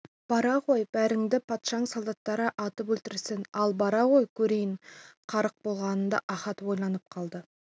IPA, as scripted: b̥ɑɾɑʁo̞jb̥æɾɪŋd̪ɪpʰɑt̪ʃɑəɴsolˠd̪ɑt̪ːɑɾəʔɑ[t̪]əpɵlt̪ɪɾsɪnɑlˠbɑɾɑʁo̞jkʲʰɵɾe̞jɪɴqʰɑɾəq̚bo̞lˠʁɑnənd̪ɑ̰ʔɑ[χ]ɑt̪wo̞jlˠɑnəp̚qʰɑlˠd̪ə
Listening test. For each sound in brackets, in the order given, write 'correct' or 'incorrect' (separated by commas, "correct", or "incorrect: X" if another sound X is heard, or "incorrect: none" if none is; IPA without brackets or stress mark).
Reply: correct, correct